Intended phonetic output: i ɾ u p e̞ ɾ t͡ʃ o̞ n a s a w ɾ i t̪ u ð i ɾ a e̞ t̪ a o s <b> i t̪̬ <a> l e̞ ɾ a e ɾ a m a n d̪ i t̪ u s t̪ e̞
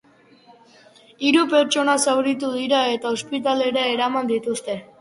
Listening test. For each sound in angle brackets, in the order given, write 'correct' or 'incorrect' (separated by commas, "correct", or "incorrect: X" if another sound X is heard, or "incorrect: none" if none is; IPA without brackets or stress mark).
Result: incorrect: p, correct